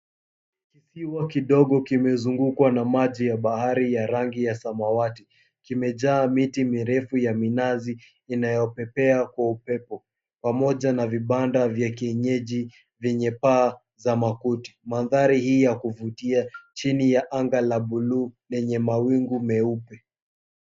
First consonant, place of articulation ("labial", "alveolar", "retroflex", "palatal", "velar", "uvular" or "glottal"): velar